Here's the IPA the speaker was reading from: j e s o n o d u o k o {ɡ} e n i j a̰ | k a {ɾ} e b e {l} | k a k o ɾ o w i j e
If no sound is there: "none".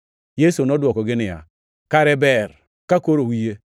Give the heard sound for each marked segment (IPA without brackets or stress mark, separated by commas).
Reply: ɡ, ɾ, ɾ